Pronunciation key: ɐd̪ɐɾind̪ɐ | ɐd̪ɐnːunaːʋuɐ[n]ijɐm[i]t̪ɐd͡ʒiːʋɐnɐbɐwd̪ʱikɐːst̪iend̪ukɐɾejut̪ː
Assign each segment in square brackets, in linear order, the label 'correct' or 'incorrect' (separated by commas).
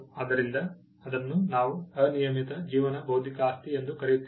correct, correct